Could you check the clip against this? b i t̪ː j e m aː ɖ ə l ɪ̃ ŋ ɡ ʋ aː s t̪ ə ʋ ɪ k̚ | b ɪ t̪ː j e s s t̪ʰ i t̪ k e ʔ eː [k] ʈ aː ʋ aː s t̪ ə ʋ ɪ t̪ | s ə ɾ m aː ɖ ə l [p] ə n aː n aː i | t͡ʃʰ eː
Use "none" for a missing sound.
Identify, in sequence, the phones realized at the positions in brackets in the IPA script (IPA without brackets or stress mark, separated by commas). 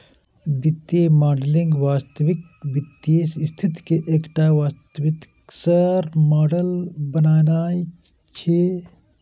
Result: k, b